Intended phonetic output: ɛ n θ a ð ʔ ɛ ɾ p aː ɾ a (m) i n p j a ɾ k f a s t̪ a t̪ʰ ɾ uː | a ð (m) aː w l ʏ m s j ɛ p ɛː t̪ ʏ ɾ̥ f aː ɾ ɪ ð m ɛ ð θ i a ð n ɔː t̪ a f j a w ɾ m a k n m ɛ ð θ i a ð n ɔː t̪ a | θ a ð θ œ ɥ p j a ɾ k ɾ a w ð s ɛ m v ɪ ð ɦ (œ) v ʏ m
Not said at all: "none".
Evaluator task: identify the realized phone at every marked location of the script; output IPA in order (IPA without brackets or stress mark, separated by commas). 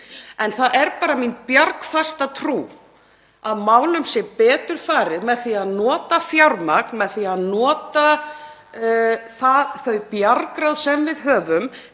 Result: m, m, œː